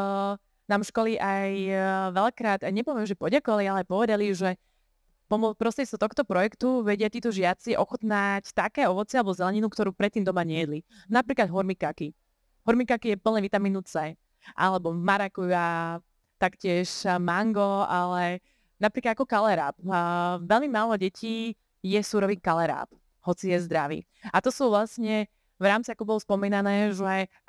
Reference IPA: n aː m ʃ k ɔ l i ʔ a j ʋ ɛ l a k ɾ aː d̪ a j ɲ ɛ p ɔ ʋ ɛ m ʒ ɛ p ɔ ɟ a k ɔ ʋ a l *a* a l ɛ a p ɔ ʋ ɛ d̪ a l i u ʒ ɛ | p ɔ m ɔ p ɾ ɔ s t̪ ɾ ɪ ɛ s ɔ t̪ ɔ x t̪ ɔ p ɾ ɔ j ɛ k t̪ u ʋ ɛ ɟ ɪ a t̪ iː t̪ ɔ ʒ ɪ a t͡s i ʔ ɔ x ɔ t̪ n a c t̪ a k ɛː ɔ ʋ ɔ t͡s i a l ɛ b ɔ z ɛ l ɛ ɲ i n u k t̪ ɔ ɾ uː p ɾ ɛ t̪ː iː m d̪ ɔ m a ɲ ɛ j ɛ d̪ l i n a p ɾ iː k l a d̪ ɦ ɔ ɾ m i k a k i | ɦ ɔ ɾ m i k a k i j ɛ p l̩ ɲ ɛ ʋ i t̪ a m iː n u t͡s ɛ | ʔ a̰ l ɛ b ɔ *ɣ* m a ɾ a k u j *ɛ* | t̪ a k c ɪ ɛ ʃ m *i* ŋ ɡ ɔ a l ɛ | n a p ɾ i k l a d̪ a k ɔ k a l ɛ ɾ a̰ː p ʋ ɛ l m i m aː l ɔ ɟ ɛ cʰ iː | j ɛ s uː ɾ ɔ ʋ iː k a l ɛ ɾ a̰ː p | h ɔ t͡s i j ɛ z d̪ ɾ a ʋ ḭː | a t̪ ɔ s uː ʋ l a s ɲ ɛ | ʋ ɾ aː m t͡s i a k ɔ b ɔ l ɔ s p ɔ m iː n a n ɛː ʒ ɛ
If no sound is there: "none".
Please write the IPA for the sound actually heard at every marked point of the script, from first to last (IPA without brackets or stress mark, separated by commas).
i, v, a, a